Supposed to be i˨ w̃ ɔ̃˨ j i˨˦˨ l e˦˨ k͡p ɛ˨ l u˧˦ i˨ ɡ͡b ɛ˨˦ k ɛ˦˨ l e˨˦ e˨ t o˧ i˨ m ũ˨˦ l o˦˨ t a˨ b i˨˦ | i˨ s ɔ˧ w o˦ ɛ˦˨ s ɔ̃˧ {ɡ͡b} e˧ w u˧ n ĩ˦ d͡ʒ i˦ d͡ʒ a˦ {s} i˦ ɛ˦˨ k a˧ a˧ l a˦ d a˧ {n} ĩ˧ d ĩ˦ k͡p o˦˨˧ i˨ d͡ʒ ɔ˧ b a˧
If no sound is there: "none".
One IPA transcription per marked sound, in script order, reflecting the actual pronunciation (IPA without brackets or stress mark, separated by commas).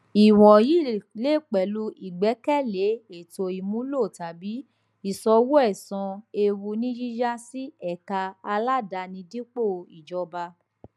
none, s, n